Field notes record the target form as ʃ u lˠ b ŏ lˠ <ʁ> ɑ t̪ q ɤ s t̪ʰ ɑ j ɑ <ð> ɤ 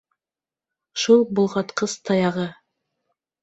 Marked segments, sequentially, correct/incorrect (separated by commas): correct, incorrect